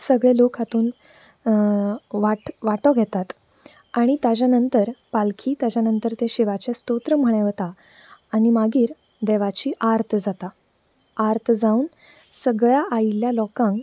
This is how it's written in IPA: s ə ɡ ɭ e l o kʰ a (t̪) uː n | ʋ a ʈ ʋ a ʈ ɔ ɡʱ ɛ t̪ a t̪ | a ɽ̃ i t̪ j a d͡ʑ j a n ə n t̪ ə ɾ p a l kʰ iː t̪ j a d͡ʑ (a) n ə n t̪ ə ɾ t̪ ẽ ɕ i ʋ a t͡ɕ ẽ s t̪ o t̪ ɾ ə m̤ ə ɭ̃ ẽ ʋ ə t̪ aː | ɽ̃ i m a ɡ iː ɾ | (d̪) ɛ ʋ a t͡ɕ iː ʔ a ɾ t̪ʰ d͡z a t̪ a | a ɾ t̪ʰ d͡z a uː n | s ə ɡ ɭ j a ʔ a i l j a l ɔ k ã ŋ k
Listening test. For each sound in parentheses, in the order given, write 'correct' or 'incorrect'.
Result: correct, correct, correct

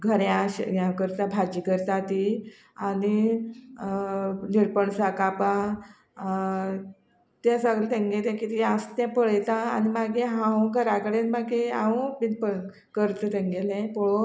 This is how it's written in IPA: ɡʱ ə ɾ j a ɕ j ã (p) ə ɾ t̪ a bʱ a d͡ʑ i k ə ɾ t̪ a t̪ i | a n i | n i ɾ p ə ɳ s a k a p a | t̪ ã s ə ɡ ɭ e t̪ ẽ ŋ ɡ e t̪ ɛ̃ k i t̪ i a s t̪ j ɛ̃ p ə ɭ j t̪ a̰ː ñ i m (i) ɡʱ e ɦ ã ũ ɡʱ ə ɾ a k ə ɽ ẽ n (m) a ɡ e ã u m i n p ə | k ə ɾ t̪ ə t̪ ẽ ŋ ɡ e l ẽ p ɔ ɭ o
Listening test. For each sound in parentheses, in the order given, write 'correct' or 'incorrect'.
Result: incorrect: k, incorrect: a, correct

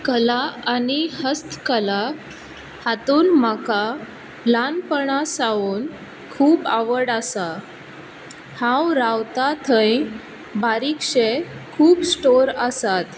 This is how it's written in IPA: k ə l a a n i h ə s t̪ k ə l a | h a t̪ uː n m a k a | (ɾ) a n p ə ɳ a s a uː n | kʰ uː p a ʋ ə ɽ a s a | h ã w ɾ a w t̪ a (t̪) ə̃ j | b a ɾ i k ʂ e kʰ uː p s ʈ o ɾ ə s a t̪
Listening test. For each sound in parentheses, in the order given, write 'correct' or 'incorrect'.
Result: incorrect: l, incorrect: t̪ʰ

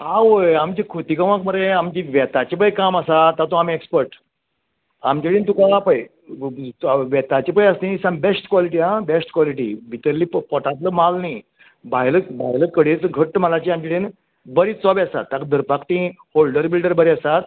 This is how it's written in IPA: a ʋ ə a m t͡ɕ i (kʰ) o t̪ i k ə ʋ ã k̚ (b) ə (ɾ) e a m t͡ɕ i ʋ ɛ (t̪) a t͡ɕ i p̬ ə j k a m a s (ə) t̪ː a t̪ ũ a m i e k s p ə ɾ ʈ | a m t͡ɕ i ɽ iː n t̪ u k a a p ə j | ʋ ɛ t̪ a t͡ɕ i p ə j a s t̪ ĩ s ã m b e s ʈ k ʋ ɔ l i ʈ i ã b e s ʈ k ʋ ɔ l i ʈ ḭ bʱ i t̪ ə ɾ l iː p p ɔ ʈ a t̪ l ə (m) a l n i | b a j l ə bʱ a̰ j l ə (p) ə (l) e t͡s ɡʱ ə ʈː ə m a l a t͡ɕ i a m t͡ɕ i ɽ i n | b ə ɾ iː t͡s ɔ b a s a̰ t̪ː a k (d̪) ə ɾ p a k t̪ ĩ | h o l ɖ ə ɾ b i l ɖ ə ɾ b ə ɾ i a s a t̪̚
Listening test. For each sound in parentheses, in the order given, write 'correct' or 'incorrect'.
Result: correct, incorrect: m, correct, correct, incorrect: a, correct, incorrect: k, incorrect: ɽ, correct

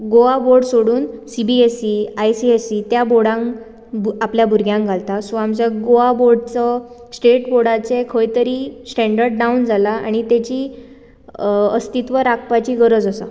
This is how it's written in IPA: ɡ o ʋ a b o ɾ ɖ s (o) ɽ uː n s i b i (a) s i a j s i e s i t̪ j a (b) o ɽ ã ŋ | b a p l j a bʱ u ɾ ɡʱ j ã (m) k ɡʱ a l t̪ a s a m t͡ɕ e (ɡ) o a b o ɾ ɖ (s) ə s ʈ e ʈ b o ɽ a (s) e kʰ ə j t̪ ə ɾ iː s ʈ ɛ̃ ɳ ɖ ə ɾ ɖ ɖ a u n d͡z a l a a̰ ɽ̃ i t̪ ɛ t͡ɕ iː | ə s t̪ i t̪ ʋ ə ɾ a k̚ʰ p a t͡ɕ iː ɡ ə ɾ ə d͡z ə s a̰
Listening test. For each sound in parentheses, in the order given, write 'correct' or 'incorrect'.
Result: correct, incorrect: e, correct, incorrect: ŋ, correct, incorrect: t͡s, incorrect: t͡s

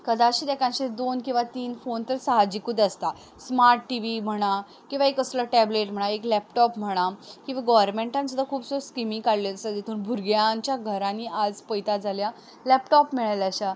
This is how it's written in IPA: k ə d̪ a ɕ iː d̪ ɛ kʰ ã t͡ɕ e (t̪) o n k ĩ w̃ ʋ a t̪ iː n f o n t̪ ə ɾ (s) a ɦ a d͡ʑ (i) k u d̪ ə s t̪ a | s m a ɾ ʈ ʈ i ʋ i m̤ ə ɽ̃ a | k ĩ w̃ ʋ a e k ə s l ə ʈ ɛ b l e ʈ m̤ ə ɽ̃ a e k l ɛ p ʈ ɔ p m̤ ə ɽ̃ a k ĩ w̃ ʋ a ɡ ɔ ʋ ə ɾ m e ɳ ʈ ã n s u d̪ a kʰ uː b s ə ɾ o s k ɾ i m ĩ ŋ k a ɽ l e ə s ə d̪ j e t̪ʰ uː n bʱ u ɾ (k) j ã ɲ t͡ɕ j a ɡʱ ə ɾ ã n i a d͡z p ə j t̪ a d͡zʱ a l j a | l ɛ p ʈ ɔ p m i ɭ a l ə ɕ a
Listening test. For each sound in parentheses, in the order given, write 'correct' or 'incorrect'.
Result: incorrect: d̪, correct, correct, incorrect: ɡ

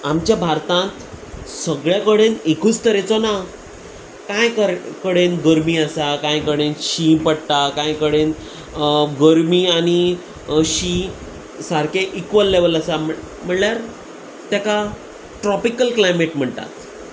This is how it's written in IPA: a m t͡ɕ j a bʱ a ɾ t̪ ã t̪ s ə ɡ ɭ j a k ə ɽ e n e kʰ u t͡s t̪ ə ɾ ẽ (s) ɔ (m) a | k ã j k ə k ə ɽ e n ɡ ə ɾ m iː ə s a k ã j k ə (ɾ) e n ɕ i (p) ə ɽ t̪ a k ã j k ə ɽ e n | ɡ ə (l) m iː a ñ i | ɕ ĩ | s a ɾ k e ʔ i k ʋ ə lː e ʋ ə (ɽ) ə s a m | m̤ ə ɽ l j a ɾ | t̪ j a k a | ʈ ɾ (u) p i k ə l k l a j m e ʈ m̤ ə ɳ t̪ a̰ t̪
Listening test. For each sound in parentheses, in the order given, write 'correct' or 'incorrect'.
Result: incorrect: t͡s, incorrect: n, incorrect: ɽ, correct, incorrect: ɾ, incorrect: l, incorrect: ɔ

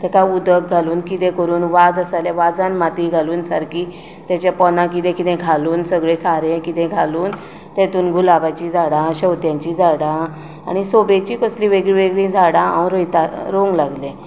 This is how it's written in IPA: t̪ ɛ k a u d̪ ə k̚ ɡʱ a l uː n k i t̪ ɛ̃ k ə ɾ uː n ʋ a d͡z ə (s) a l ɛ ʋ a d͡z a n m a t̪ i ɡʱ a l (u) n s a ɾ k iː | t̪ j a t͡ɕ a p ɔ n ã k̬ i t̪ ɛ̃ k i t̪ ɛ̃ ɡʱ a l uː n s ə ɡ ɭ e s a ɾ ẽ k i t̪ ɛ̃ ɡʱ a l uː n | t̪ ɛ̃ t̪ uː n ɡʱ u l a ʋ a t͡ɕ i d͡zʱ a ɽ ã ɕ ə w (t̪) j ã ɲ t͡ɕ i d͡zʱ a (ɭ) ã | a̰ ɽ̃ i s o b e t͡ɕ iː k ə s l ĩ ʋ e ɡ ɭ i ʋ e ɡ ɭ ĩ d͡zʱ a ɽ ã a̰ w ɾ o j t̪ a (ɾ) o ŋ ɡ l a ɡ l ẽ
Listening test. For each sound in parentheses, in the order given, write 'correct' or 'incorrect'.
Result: correct, incorrect: uː, correct, incorrect: ɽ, correct

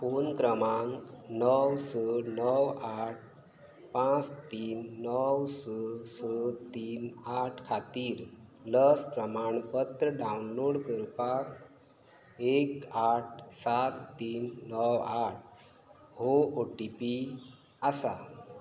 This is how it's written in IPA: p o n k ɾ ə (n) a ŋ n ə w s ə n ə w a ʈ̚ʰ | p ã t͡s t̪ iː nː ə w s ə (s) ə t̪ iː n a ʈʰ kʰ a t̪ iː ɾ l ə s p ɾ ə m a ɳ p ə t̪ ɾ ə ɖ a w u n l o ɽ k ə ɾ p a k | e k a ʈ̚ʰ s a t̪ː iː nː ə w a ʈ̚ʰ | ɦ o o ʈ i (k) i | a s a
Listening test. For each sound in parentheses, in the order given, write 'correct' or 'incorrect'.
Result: incorrect: m, correct, incorrect: p

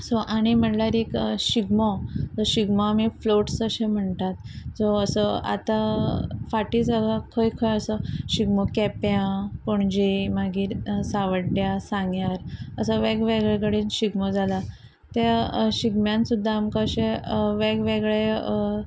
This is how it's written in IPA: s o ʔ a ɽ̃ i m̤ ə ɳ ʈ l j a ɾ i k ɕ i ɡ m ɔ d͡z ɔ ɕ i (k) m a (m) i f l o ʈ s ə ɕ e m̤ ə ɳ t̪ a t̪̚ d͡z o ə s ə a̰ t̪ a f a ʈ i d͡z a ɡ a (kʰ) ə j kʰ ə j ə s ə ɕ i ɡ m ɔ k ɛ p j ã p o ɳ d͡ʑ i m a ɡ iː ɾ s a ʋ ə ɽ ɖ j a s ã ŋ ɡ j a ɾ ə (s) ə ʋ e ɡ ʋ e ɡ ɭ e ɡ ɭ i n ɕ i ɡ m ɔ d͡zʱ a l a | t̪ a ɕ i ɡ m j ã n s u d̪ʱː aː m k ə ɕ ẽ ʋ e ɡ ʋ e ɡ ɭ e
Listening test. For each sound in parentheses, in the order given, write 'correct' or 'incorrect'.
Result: incorrect: ɡ, correct, correct, correct

